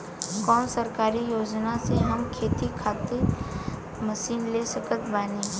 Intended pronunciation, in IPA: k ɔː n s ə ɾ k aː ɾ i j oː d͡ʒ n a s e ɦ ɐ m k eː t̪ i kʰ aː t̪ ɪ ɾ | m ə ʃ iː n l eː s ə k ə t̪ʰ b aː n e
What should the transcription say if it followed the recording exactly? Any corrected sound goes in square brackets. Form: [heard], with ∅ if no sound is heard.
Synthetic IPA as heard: k ɔː n s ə ɾ k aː ɾ i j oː d͡ʒ n a s e ɦ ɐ m [kʰ] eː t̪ i kʰ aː t̪ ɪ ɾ | m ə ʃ iː n l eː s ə k ə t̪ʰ b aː n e